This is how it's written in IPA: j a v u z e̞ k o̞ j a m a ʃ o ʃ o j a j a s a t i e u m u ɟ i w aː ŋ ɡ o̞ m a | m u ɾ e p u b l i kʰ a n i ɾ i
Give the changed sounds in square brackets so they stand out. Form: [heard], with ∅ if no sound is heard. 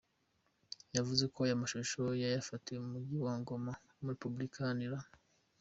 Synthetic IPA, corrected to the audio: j a v u z e̞ k o̞ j a m a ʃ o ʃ o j a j a [f] a t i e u m u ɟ i w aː ŋ ɡ o̞ m a | m u ɾ e p u b l i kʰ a n i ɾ [a]